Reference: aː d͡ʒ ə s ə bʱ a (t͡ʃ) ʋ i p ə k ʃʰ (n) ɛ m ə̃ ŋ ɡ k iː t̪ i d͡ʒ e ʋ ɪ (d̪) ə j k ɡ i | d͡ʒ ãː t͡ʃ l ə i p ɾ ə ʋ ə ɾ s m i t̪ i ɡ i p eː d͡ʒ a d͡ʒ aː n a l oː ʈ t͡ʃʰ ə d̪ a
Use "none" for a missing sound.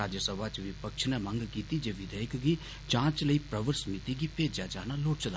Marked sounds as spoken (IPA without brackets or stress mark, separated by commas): t͡ʃ, n, d̪